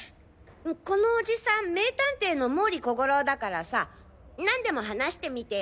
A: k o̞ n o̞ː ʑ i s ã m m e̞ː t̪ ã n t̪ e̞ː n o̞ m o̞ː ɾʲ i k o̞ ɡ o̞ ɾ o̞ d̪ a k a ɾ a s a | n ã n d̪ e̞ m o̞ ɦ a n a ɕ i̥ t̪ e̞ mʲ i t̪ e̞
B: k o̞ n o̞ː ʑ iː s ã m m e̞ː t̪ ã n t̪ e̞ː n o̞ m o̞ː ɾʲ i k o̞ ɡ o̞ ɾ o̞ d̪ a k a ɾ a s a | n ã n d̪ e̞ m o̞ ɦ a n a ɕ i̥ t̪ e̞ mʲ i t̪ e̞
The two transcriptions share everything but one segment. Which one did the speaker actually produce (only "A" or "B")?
A